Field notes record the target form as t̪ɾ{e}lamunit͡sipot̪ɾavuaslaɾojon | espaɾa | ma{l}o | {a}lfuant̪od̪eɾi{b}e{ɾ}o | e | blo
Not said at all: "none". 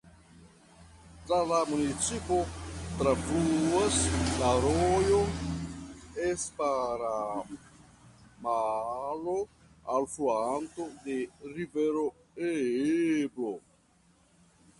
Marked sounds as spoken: a, l, a, v, ɾ

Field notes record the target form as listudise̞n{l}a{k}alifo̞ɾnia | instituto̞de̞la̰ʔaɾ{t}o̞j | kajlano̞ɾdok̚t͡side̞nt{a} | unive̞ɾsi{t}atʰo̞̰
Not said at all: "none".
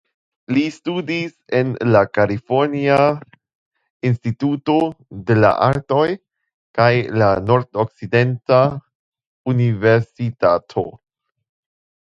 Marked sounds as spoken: l, k, t, a, t

